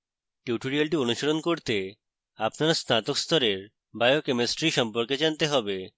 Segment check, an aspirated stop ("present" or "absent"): absent